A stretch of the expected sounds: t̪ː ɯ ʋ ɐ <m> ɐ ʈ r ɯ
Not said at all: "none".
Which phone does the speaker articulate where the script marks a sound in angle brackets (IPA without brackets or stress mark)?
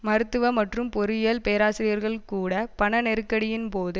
m